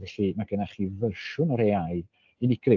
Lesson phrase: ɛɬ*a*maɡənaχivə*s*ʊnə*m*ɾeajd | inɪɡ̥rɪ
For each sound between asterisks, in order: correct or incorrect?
incorrect: i, incorrect: ʃ, incorrect: none

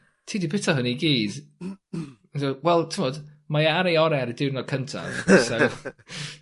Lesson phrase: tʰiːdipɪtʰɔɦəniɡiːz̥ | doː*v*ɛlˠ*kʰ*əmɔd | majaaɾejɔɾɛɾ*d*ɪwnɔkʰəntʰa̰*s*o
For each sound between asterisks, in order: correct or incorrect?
incorrect: w, incorrect: tʰ, correct, correct

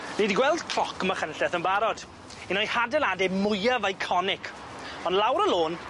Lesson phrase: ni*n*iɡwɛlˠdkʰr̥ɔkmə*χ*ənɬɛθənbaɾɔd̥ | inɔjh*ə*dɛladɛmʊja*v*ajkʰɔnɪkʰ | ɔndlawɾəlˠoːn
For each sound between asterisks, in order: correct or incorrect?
incorrect: d, correct, incorrect: a, correct

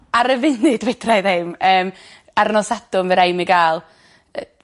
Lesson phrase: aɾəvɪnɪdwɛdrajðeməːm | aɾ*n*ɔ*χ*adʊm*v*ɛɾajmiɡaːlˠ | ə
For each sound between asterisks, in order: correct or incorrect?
correct, incorrect: s, correct

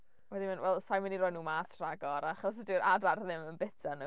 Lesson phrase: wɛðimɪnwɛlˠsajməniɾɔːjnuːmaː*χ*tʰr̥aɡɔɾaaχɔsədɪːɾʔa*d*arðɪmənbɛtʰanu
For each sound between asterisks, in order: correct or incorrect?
incorrect: s, correct

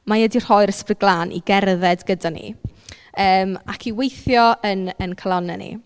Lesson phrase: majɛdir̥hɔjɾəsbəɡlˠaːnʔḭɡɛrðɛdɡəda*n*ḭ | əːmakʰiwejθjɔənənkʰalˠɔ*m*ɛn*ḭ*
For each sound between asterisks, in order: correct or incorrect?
correct, incorrect: n, correct

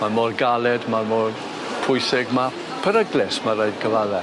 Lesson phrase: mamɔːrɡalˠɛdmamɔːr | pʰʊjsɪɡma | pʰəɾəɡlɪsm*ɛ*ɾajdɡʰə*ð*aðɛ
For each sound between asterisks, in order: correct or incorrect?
incorrect: a, incorrect: v

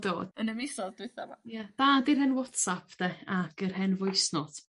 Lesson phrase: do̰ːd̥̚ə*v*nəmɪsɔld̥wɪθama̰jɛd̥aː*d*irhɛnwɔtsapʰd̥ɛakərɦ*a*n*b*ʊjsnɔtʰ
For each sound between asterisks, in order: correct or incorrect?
incorrect: none, correct, incorrect: ɛ, incorrect: v

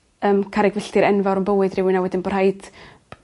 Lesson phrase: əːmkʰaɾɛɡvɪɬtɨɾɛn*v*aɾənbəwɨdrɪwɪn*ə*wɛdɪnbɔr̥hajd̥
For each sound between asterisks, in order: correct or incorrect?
correct, incorrect: a

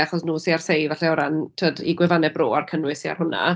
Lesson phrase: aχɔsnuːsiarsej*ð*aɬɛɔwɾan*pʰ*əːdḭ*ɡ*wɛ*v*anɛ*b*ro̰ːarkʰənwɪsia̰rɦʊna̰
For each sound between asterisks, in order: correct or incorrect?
incorrect: v, incorrect: tʰ, correct, correct, correct

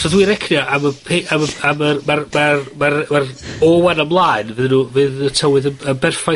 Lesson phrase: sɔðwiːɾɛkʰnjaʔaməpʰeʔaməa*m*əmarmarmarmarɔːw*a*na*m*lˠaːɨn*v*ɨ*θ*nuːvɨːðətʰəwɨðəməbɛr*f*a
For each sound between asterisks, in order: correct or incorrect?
correct, correct, correct, correct, incorrect: ð, correct

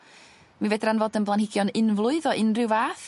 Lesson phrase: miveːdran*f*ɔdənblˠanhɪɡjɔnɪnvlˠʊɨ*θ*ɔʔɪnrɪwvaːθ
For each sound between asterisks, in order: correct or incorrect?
incorrect: v, incorrect: ð

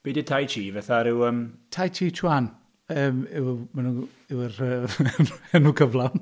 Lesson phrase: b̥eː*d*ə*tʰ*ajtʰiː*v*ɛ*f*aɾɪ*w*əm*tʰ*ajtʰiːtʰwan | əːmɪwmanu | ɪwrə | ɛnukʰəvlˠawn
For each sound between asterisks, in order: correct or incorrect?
correct, correct, correct, incorrect: θ, correct, correct

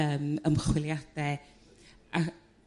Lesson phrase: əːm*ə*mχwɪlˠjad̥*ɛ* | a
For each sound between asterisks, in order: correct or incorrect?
correct, correct

